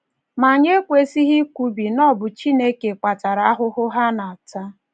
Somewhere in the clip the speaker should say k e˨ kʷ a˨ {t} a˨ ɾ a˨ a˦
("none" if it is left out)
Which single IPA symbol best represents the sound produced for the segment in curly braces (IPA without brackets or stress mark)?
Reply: t